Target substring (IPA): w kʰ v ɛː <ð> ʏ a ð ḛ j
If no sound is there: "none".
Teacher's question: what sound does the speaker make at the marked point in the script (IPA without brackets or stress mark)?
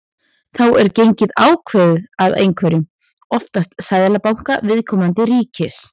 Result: ð